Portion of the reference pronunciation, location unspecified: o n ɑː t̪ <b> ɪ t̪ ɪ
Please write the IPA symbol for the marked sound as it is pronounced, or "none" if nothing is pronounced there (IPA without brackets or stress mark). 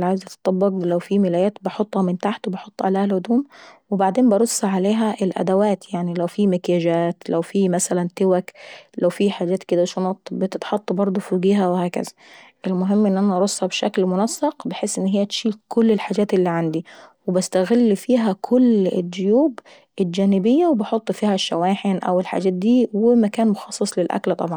b